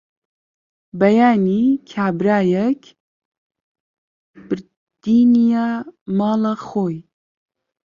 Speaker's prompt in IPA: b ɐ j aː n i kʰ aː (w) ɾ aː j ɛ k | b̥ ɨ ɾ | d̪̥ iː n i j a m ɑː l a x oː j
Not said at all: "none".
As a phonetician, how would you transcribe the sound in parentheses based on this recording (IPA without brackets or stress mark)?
b